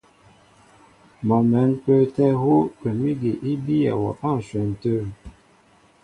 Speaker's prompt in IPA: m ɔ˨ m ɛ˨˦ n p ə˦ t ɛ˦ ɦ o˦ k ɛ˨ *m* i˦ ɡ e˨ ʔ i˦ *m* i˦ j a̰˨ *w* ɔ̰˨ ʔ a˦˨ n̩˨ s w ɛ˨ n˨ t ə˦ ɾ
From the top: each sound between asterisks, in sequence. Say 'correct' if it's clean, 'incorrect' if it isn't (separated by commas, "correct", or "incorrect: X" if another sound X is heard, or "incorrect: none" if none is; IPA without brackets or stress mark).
correct, incorrect: b, correct